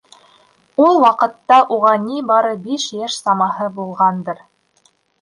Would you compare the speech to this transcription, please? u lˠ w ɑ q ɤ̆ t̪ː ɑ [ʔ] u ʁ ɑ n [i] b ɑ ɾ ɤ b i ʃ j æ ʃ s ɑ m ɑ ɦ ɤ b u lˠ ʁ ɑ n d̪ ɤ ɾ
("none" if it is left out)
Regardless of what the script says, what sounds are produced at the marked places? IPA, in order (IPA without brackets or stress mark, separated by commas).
ʔ, i